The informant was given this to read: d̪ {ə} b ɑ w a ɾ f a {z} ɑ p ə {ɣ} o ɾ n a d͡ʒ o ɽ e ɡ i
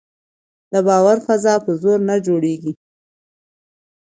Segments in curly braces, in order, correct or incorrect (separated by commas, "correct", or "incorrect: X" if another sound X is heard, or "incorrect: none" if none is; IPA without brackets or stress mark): correct, correct, incorrect: z